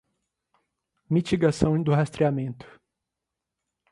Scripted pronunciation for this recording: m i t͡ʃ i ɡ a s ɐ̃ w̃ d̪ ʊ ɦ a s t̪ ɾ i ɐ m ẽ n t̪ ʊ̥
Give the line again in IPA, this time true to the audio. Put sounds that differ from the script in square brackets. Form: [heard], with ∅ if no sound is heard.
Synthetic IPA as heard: m i t͡ʃ i ɡ a s ɐ̃ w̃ d̪ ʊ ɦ a s t̪ ɾ i [a] m ẽ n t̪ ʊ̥